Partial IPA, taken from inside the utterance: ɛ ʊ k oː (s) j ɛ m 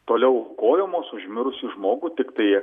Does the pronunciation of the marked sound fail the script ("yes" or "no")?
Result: yes